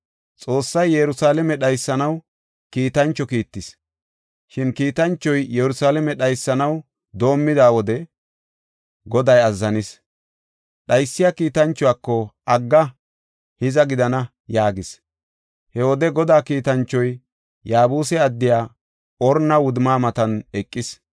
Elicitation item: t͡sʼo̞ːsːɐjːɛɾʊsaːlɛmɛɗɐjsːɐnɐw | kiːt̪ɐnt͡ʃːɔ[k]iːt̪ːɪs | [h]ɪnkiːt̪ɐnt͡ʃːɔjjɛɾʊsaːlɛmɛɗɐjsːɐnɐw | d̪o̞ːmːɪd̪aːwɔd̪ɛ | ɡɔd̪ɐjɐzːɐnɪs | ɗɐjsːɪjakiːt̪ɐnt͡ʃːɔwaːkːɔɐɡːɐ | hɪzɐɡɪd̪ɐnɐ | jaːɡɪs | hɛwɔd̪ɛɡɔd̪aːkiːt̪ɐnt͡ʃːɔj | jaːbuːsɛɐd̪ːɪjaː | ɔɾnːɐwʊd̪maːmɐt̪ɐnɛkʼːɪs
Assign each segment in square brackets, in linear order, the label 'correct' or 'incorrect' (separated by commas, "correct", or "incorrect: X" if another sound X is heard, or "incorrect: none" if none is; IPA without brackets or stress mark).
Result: correct, incorrect: ʃ